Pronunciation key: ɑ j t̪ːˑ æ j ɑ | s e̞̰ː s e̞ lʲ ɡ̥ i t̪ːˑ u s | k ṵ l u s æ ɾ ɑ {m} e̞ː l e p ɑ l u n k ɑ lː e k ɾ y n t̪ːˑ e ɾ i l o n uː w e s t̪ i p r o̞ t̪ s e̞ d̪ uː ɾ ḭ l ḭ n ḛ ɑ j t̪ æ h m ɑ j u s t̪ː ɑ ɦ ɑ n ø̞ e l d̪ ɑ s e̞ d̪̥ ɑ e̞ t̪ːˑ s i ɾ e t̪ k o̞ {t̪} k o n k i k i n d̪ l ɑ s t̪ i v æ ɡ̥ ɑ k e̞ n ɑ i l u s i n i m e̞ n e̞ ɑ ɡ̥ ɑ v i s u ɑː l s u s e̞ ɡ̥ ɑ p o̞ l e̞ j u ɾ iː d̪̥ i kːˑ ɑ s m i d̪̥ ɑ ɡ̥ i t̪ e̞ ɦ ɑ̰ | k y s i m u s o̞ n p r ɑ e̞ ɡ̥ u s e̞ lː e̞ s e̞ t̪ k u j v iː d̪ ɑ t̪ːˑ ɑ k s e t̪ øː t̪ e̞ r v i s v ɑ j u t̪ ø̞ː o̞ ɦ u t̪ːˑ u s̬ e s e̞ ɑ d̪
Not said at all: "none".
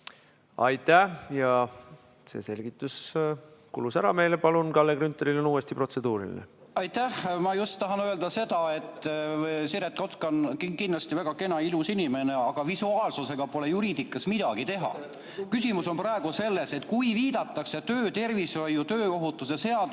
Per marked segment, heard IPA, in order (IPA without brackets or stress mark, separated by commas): m, t̪